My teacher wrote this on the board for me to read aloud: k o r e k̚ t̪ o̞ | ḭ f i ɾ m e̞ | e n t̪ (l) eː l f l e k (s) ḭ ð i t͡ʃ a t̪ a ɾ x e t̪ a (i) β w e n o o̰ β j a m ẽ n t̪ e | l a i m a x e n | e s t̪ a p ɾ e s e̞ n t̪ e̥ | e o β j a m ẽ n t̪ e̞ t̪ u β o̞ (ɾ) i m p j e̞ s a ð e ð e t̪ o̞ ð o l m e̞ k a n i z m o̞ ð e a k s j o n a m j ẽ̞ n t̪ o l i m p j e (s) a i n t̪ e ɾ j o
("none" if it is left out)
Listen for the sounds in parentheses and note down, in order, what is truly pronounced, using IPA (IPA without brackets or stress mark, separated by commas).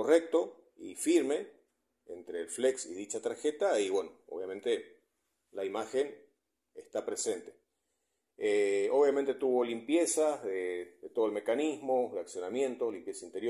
ɾ, s, i, l, s